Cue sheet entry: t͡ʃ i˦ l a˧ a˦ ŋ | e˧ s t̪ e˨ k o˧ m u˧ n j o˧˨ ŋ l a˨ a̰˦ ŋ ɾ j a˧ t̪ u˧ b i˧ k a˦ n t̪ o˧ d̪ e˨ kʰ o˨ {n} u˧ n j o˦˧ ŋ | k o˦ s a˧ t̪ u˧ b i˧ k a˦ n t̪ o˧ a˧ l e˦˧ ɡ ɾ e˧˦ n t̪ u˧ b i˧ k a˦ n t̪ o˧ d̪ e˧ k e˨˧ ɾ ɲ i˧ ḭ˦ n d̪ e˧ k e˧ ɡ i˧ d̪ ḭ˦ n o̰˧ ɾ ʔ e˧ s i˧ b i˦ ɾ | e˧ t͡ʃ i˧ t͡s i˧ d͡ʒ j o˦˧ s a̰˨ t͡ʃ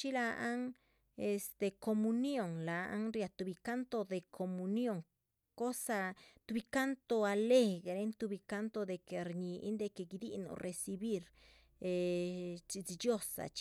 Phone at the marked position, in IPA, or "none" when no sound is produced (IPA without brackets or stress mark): m